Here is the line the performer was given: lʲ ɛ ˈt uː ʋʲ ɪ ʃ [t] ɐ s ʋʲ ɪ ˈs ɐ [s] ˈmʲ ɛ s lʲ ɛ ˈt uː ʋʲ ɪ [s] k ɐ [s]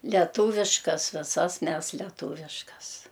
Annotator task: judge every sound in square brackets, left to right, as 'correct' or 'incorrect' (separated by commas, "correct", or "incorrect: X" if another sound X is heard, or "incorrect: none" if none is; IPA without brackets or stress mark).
incorrect: k, correct, incorrect: ʃ, correct